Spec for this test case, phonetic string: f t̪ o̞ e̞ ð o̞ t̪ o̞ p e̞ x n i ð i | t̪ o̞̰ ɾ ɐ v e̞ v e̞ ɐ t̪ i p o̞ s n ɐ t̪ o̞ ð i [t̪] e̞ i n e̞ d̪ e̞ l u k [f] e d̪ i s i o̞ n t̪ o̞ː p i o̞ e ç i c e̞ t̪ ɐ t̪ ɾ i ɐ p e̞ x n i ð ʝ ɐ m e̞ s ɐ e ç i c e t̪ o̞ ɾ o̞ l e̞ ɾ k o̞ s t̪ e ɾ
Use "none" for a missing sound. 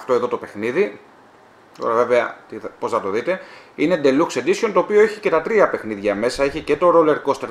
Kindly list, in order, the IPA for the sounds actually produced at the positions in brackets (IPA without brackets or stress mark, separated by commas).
t̪, s